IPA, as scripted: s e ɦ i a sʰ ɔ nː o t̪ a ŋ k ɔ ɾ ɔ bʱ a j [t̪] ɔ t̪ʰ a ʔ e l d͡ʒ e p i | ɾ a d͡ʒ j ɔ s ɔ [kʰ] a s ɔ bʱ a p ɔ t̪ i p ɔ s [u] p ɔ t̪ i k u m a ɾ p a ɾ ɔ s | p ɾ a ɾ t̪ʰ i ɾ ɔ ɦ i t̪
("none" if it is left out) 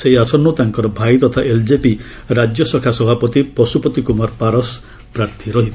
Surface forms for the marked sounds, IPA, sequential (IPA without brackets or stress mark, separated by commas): t̪, kʰ, u